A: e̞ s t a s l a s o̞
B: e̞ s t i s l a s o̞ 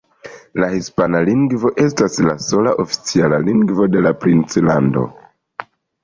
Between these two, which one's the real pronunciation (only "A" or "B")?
A